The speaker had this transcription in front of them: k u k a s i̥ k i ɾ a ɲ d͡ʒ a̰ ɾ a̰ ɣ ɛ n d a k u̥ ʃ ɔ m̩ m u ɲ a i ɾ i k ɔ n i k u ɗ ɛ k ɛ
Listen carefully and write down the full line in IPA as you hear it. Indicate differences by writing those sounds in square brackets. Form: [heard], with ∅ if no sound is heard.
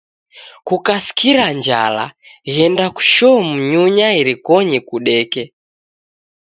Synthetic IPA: k u k a s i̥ k i ɾ a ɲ d͡ʒ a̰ [l] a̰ ɣ ɛ n d a k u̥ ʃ ɔ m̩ [ɲ] u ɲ a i ɾ i k ɔ [ɲ] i k u ɗ ɛ k ɛ